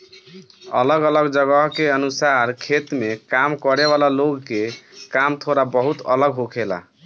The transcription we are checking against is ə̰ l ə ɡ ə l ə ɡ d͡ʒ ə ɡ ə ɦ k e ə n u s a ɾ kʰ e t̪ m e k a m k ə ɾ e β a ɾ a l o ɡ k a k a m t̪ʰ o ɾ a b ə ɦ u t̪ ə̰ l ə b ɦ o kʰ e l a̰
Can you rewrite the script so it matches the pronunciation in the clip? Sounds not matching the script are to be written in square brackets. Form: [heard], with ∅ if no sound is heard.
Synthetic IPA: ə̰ l ə ɡ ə l ə ɡ d͡ʒ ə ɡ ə ɦ k e ə n u s a ɾ kʰ e t̪ m e k a m k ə ɾ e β a [l] a l o ɡ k [e] k a m t̪ʰ o ɾ a b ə ɦ u t̪ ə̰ l ə [ɡ] ɦ o kʰ e l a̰